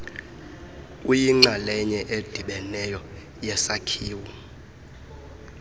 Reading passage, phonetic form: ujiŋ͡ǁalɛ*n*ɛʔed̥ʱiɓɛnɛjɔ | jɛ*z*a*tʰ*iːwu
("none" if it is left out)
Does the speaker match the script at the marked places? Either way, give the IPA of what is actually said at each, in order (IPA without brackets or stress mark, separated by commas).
ɲ, s, kʰ